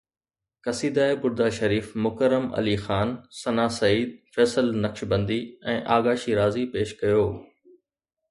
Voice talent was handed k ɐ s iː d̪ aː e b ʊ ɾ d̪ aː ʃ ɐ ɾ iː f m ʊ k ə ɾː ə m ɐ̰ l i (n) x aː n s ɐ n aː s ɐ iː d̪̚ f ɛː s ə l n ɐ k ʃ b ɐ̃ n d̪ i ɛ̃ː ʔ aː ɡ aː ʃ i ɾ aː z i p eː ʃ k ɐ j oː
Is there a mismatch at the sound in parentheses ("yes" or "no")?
yes